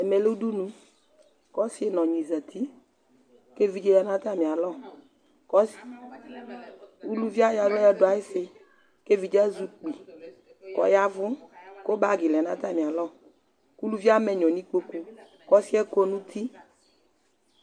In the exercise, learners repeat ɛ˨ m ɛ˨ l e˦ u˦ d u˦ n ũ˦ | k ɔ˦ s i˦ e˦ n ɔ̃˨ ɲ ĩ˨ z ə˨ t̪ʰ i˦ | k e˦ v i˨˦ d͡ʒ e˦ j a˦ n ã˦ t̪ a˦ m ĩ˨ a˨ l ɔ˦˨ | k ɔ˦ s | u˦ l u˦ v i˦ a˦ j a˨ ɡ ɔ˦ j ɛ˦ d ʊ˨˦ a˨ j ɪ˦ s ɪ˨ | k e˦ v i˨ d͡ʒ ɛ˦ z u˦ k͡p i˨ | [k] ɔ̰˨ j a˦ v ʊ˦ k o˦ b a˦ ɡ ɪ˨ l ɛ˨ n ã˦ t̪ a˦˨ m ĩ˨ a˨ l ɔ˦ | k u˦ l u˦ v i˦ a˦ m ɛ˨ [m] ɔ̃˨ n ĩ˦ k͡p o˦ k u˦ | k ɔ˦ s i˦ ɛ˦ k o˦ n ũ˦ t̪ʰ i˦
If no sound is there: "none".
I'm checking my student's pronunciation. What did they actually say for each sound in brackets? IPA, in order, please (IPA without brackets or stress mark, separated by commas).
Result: k, ɲ